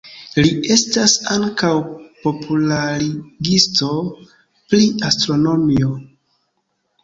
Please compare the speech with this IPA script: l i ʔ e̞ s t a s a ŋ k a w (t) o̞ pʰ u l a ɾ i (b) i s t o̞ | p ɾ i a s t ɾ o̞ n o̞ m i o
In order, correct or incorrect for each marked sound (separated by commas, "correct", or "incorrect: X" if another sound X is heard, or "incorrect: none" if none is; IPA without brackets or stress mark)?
incorrect: p, incorrect: ɡ